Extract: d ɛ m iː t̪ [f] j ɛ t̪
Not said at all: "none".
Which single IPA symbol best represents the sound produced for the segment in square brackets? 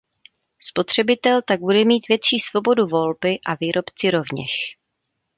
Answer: v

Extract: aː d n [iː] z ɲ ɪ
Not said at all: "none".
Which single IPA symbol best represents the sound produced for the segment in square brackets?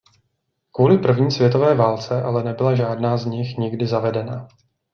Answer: aː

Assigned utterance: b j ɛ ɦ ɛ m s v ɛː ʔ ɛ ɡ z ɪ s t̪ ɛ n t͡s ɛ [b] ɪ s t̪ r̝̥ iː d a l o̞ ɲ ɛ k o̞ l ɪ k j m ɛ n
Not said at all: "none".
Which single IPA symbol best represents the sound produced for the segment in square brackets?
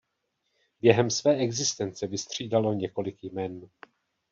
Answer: v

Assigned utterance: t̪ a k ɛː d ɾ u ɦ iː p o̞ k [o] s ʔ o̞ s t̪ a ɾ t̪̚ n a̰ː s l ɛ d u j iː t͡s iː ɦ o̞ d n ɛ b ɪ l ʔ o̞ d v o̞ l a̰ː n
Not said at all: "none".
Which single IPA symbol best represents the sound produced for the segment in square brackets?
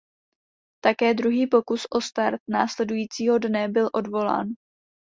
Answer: u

